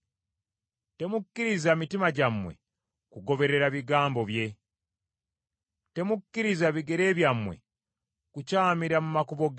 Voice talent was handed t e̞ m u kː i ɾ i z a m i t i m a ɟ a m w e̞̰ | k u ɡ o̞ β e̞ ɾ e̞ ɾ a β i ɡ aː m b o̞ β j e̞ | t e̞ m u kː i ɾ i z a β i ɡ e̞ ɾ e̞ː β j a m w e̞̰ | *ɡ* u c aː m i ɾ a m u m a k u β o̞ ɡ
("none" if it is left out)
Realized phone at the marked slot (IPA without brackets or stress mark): k